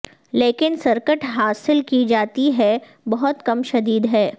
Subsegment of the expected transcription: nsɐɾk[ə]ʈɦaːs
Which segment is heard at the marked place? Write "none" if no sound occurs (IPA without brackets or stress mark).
ə